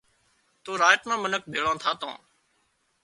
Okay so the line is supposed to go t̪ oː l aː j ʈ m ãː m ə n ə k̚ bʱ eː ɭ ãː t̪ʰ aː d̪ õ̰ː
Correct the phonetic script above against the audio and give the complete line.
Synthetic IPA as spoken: t̪ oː ɾ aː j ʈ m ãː m ə n ə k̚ bʱ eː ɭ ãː t̪ʰ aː t̪ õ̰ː